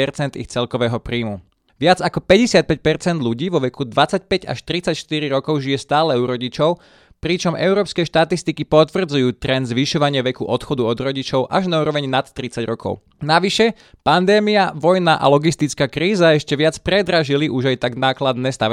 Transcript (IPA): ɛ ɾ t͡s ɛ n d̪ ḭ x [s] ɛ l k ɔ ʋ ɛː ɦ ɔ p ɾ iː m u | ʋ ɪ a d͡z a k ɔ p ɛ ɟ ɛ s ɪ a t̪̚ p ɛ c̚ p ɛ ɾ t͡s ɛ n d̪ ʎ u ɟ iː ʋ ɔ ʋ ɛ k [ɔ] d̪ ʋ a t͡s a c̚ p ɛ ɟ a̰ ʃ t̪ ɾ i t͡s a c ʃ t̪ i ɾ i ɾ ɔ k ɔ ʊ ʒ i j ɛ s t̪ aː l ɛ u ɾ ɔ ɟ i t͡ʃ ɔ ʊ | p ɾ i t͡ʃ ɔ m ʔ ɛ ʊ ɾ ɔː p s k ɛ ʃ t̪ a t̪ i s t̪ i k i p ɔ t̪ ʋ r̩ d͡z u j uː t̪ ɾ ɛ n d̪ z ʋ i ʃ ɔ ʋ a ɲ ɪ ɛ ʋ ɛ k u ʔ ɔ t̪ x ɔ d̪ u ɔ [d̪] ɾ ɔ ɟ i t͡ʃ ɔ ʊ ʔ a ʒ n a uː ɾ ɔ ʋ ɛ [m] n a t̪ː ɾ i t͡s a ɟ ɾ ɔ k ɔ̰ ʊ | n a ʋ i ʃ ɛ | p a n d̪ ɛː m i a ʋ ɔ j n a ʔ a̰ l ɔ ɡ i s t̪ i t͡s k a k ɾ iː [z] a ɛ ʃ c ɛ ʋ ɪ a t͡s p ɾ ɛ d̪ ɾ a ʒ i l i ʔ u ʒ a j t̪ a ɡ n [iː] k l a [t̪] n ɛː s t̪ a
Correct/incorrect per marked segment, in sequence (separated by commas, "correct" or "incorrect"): incorrect, incorrect, correct, incorrect, correct, incorrect, incorrect